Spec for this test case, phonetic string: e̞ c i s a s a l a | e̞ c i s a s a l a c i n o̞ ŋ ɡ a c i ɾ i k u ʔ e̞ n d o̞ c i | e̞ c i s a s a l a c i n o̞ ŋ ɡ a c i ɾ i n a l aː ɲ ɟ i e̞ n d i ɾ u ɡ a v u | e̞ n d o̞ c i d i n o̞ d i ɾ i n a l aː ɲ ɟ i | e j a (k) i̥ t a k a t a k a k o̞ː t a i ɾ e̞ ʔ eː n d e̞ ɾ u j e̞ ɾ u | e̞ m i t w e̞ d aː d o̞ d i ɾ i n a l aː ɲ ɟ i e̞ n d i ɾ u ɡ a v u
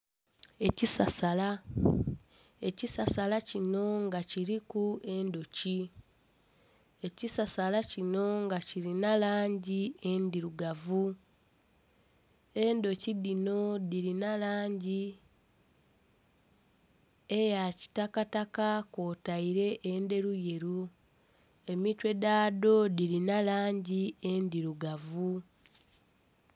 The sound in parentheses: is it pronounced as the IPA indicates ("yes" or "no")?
no